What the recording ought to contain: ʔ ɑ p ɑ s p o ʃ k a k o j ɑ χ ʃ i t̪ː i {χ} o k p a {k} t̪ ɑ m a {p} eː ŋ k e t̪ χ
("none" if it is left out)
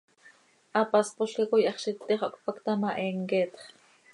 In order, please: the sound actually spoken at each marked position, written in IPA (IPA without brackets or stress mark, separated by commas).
χ, k, ʔ